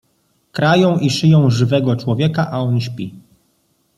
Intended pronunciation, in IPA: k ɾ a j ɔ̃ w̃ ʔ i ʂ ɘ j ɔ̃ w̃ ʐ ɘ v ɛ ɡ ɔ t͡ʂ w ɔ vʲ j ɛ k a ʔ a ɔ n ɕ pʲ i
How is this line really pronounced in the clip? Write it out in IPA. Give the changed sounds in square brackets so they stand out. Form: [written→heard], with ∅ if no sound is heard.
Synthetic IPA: k ɾ a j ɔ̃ w̃ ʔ i ʂ ɘ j ɔ̃ w̃ ʐ ɘ v ɛ ɡ ɔ t͡ʂ w ɔ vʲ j ɛ k a ʔ a ɔ n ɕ pʲ i